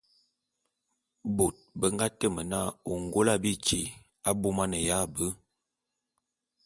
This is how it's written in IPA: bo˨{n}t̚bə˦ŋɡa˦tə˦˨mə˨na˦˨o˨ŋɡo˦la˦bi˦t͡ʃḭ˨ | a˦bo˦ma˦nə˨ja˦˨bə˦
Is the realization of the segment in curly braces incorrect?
yes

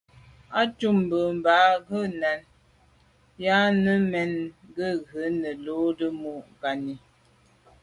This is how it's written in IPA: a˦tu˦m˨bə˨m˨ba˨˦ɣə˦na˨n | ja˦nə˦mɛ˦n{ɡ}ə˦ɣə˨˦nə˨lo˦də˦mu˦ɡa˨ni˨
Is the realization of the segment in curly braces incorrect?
no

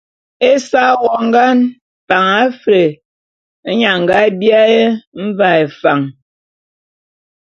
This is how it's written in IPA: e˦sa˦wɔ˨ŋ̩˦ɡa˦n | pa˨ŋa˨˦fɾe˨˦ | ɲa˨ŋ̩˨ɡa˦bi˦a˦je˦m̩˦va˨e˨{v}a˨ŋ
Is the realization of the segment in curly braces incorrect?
yes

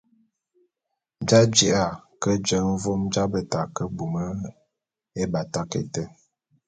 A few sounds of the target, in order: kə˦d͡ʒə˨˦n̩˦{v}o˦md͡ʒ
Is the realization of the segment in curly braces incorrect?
no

